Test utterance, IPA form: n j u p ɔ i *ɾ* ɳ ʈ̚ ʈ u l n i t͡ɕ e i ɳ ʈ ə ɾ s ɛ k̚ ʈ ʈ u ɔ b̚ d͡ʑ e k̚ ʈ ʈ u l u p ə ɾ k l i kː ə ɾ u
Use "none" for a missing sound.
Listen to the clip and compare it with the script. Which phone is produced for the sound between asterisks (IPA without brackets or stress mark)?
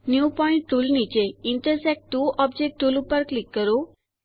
none